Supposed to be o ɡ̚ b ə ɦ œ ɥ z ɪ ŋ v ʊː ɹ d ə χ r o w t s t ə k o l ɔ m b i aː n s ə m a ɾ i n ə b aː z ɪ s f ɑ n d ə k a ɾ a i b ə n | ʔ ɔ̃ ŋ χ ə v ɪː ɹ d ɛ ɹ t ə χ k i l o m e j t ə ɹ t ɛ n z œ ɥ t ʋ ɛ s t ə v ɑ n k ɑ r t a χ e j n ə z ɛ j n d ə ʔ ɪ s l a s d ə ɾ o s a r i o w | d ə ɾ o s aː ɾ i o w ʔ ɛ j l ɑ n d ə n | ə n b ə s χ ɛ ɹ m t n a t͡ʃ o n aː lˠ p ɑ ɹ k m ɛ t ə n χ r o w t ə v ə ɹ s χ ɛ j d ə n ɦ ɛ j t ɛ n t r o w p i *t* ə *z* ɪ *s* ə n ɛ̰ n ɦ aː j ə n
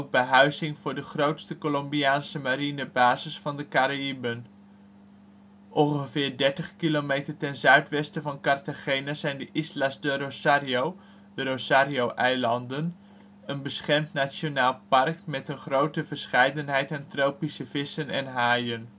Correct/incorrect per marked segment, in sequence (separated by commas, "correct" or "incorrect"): incorrect, incorrect, correct